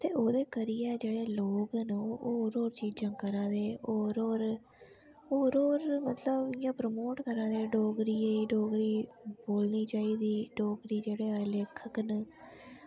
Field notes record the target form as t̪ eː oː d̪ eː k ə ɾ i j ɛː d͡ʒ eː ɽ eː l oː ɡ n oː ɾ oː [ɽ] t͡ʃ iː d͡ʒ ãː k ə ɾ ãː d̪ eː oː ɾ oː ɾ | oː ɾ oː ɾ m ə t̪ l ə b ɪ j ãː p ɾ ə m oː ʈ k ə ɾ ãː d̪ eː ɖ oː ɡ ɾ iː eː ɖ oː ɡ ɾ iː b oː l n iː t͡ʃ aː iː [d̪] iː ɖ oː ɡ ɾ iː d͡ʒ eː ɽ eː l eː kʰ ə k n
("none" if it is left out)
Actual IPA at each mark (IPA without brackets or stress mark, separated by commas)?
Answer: ɾ, d̪